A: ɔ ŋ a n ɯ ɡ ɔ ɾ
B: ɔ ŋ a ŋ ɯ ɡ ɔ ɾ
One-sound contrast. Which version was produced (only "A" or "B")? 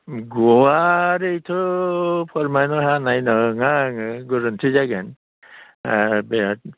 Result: B